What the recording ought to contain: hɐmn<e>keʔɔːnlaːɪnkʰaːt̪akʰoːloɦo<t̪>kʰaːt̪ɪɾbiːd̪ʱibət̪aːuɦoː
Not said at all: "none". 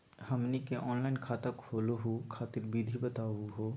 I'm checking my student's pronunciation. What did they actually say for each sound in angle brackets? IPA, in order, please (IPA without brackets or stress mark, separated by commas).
i, none